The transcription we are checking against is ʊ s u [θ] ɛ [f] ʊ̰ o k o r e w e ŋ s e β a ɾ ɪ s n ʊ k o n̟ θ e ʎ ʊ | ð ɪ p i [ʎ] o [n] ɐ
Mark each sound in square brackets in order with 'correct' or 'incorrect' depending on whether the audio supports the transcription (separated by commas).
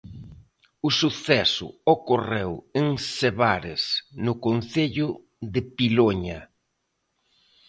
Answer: correct, incorrect, incorrect, incorrect